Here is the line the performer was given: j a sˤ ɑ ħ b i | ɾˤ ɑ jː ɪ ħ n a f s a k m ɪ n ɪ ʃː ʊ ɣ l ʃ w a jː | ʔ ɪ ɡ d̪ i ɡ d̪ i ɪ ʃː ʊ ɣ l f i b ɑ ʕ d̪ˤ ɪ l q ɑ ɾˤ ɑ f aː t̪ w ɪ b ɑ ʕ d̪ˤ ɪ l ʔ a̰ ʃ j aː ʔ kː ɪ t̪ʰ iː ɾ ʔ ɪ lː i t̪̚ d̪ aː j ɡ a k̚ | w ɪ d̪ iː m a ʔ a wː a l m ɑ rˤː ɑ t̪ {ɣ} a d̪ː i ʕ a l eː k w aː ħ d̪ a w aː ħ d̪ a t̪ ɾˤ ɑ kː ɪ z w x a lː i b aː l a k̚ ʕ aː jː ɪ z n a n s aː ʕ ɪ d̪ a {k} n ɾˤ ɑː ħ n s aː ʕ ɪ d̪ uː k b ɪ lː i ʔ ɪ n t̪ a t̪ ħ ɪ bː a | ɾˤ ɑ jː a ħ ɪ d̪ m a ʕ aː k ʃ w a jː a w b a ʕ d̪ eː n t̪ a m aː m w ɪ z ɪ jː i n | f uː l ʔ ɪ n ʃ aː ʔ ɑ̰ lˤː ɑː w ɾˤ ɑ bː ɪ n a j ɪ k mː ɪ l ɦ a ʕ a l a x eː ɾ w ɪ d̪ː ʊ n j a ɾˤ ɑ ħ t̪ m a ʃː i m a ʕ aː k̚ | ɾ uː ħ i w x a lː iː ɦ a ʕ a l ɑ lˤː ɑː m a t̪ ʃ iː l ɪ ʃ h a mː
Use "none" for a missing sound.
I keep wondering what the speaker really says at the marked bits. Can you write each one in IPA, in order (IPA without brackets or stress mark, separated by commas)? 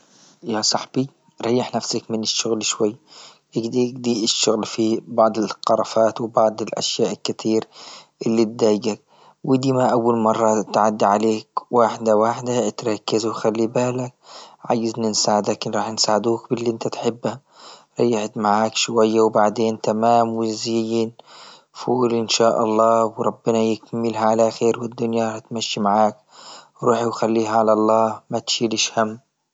ʕ, k